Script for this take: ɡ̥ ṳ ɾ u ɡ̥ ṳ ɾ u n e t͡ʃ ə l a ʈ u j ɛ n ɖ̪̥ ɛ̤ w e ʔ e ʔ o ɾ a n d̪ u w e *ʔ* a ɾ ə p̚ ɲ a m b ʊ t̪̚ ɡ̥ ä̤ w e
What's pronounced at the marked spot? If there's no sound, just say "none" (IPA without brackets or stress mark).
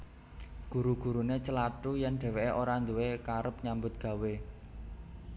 k